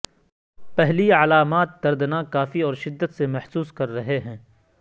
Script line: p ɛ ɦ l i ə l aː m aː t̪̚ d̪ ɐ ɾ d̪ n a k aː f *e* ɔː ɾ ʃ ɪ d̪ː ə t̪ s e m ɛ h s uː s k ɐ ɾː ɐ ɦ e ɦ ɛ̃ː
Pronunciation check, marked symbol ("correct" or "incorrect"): incorrect